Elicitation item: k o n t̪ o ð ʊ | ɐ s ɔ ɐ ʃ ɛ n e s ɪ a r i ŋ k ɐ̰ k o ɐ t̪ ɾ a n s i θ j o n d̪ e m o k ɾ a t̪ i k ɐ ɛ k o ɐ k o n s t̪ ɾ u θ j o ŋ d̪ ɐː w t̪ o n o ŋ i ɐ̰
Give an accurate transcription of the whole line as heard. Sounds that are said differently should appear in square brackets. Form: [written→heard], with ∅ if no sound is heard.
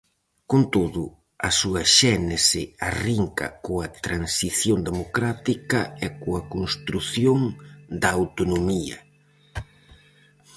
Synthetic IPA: k o n t̪ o ð ʊ | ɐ s [ɔ→u] ɐ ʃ ɛ n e s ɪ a r i ŋ k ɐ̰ k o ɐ t̪ ɾ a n s i θ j o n d̪ e m o k ɾ a t̪ i k ɐ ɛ k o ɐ k o n s t̪ ɾ u θ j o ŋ d̪ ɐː w t̪ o n o [ŋ→m] i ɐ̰